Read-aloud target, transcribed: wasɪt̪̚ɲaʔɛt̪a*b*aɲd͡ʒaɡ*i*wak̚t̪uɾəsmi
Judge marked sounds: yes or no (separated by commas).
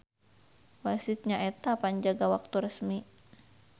no, no